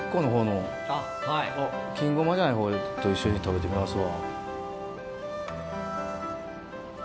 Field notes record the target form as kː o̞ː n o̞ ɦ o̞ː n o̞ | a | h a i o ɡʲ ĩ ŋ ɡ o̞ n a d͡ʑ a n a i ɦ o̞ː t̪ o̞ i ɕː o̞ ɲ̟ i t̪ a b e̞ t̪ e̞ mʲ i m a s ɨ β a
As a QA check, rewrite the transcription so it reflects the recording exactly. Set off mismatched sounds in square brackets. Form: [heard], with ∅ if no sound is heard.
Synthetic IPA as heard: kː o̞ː n o̞ ɦ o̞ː n o̞ | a | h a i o [kʲ] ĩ ŋ ɡ o̞ [m] a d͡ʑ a n a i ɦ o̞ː t̪ o̞ i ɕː o̞ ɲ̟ i t̪ a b e̞ t̪ e̞ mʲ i m a s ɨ β a